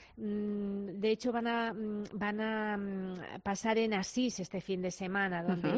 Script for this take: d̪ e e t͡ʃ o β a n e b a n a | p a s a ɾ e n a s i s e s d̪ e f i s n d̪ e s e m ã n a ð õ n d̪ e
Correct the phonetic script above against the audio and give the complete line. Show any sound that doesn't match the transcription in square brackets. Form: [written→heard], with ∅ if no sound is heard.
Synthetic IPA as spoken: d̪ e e t͡ʃ o β a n [e→a] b a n a | p a s a ɾ e n a s i s e s [d̪→t̪] e f i [s→∅] n d̪ e s e m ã n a ð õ n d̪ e